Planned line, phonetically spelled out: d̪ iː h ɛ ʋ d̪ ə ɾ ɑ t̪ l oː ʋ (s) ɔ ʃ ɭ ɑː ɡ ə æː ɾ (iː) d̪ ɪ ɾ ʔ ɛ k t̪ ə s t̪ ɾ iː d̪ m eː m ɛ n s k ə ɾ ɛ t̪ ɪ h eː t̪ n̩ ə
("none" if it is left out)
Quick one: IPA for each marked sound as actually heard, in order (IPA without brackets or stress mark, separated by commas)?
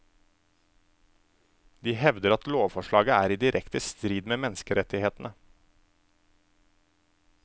f, iː